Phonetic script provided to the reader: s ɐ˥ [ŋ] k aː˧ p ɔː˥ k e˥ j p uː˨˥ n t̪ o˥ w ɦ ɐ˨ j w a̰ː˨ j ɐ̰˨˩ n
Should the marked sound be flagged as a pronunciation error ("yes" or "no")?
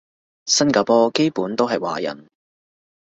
yes